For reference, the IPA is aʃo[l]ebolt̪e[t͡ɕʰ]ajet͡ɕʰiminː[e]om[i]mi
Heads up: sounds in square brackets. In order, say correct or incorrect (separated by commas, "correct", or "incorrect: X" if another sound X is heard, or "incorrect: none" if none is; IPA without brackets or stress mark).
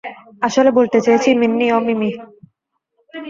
correct, incorrect: t͡ɕ, incorrect: i, correct